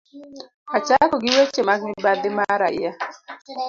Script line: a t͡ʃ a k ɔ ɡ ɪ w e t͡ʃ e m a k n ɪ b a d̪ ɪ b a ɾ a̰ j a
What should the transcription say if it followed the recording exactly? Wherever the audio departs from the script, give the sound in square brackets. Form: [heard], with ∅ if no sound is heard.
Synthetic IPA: a t͡ʃ a k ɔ ɡ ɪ w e t͡ʃ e m a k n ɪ b a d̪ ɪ [m] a ɾ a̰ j a